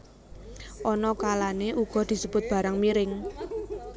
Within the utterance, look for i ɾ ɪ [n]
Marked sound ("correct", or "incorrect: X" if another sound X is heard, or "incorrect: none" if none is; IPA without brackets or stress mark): incorrect: ŋ